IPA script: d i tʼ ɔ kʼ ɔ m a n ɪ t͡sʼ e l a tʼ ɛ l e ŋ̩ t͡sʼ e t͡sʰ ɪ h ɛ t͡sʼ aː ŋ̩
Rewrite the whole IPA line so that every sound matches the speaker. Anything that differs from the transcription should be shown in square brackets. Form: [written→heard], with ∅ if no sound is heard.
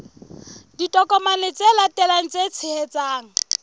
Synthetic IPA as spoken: d i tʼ ɔ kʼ ɔ m a n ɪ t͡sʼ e l a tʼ ɛ l [e→a] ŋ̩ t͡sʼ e t͡sʰ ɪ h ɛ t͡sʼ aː ŋ̩